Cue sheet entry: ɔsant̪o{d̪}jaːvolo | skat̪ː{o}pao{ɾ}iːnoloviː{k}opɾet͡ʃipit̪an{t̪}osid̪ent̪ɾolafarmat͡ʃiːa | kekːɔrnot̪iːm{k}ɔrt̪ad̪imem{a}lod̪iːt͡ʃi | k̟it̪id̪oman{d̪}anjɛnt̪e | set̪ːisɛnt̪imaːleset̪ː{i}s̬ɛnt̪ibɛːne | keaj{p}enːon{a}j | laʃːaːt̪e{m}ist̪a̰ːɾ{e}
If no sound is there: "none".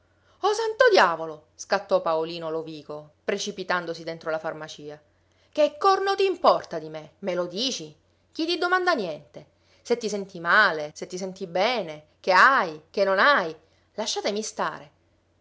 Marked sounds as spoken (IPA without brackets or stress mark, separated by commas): d̪, ɔ, l, k, d̪, p, e, d̪, i, k, a, m, e